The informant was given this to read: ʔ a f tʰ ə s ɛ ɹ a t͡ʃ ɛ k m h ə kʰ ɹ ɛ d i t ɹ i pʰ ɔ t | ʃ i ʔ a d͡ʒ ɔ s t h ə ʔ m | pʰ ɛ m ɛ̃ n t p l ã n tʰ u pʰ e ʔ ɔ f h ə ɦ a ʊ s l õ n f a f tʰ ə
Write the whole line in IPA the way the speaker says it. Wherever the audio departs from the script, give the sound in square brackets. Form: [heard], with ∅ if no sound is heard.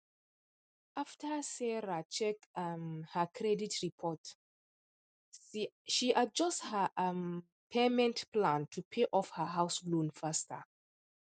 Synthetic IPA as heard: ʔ a f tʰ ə s ɛ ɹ a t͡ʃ ɛ k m h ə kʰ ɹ ɛ d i t ɹ i pʰ ɔ t | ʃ i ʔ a d͡ʒ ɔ s t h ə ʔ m | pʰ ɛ m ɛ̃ n t p l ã n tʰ u pʰ e ʔ ɔ f h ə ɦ a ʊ s l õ n f a [s] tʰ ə